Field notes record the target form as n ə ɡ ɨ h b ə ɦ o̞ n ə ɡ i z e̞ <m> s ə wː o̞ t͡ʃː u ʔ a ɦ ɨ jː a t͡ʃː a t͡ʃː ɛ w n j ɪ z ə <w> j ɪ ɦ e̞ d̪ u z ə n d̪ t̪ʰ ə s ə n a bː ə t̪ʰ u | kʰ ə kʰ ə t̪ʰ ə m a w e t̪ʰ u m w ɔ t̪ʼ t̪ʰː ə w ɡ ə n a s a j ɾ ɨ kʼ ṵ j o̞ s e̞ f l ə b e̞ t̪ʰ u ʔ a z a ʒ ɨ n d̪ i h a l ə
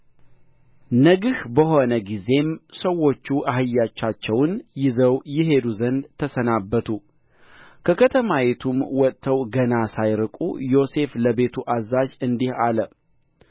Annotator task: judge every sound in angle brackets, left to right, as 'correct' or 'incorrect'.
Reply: correct, correct

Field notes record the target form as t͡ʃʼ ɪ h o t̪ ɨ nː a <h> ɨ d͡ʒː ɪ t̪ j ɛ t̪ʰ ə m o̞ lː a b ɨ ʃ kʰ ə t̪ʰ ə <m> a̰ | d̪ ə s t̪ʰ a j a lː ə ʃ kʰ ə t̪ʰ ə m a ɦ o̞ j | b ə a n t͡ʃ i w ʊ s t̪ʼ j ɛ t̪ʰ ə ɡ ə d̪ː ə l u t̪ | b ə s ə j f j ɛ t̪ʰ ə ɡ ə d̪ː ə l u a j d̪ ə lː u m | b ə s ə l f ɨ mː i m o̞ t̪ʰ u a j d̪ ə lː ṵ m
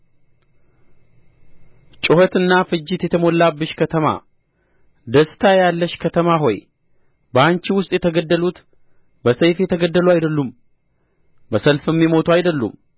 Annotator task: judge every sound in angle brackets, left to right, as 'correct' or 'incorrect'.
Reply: incorrect, correct

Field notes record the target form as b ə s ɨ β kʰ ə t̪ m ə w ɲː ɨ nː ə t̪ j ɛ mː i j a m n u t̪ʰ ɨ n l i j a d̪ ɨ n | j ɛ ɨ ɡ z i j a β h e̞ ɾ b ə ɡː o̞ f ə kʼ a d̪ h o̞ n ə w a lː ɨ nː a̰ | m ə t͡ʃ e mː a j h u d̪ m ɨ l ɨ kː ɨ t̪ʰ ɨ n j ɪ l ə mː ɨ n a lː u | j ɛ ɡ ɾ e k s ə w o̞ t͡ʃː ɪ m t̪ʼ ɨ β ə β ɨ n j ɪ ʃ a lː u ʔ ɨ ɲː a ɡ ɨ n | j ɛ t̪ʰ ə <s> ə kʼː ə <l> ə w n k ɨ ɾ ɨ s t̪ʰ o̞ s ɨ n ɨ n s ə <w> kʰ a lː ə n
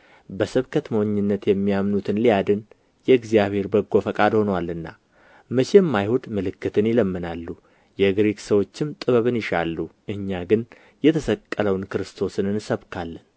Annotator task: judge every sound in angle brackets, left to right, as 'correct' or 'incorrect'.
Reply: correct, correct, incorrect

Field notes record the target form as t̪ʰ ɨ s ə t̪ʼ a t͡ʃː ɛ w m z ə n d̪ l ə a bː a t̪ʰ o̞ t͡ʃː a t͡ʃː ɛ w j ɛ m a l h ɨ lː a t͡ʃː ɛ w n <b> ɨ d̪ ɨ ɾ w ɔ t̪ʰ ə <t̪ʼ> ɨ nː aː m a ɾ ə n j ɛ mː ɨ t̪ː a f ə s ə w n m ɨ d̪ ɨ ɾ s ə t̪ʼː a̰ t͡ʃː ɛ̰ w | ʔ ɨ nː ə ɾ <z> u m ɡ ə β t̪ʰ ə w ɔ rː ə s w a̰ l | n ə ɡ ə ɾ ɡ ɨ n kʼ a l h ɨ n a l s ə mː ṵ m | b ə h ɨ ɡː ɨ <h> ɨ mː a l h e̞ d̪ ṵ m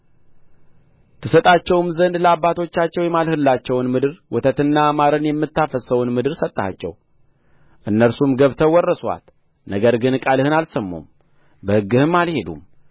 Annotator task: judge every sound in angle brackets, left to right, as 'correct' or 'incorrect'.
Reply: incorrect, incorrect, incorrect, correct

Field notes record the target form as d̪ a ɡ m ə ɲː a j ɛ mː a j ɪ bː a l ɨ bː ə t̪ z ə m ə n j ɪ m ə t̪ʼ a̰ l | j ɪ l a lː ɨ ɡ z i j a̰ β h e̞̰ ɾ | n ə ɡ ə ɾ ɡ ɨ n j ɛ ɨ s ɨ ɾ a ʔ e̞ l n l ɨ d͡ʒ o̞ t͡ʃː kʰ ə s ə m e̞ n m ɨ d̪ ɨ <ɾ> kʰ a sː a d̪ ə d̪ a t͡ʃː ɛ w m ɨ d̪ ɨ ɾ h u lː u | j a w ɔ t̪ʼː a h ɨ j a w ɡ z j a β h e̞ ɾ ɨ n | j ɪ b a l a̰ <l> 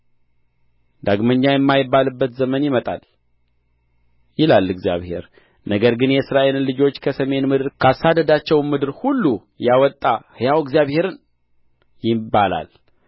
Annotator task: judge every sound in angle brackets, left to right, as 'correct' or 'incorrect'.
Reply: correct, correct

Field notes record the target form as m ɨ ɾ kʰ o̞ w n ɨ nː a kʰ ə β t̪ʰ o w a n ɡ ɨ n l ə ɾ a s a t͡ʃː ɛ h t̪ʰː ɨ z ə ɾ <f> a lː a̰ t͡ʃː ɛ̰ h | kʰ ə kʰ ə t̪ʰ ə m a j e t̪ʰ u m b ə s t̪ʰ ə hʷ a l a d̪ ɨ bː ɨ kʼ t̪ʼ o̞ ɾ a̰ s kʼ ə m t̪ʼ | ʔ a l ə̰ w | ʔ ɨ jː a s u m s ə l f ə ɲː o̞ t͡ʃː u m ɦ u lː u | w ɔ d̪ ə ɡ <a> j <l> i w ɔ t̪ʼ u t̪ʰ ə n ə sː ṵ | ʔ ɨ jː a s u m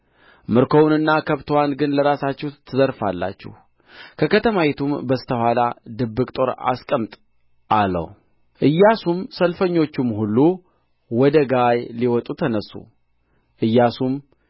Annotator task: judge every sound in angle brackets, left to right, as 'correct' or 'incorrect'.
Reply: correct, correct, correct

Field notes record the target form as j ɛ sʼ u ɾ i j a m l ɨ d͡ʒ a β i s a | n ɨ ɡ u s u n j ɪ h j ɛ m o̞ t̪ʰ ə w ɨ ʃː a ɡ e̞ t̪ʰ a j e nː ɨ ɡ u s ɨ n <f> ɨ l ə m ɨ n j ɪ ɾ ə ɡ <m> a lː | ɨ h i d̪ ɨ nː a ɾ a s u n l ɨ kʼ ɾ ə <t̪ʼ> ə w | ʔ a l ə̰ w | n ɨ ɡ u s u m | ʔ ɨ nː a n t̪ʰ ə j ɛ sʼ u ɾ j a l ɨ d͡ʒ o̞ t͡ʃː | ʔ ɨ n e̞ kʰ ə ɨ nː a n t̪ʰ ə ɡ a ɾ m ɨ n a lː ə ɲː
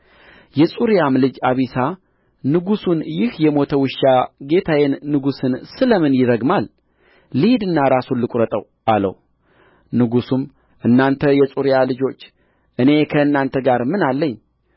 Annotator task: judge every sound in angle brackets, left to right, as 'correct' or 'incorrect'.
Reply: incorrect, correct, correct

